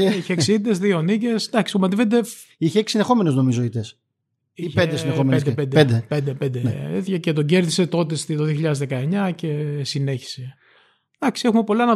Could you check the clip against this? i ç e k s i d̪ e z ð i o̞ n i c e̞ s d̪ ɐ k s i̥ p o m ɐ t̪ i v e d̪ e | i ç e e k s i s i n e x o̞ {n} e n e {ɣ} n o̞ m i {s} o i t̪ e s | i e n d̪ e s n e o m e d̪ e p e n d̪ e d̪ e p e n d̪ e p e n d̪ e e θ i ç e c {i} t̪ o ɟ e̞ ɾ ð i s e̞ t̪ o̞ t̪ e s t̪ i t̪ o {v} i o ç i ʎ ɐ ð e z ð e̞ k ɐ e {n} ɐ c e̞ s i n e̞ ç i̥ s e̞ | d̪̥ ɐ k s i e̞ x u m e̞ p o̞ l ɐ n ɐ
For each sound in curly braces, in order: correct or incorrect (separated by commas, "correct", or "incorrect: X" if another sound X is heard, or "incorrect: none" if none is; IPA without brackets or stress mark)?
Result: incorrect: m, incorrect: z, incorrect: z, incorrect: e, incorrect: ð, incorrect: ɲ